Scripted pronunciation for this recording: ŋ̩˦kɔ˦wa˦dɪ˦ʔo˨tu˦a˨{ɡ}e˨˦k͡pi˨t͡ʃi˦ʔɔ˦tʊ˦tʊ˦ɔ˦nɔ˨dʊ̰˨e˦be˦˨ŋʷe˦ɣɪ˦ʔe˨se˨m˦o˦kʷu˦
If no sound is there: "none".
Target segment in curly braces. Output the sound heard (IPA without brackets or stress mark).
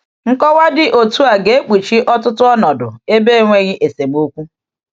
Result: ɡ